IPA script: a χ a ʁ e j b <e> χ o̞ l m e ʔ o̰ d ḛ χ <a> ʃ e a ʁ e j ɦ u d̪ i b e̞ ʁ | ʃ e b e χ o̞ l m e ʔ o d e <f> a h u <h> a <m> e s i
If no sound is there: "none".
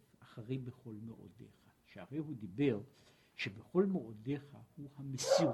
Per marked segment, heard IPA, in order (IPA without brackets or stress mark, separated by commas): e, a, χ, h, m